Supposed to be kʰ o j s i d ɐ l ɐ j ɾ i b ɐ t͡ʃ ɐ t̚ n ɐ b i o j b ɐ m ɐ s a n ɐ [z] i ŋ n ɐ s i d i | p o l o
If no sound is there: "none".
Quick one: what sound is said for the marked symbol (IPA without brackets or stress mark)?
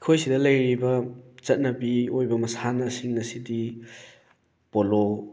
s